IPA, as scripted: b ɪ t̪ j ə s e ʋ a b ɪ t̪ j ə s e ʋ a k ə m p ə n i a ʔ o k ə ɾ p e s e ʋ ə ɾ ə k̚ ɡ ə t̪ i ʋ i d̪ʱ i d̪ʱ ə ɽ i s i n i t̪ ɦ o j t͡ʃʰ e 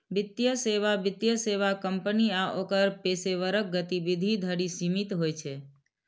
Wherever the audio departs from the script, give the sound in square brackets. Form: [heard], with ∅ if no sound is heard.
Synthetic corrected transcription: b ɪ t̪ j ə s e ʋ a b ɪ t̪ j ə s e ʋ a k ə m p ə n i a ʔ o k ə ɾ p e s e ʋ ə ɾ ə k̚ ɡ ə t̪ i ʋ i d̪ʱ i d̪ʱ ə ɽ i s i [m] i t̪ ɦ o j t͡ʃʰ e